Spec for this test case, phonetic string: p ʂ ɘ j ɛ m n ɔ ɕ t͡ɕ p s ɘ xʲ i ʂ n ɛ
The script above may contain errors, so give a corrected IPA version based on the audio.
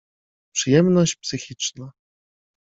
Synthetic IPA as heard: p ʂ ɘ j ɛ m n ɔ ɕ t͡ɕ p s ɘ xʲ i t͡ʂ n a